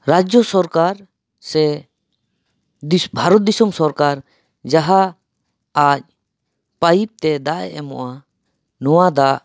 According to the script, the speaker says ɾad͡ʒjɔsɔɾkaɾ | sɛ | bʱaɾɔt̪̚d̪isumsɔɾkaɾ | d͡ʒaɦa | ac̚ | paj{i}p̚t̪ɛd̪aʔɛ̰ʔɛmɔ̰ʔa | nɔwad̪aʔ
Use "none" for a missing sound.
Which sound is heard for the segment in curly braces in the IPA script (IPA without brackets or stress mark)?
i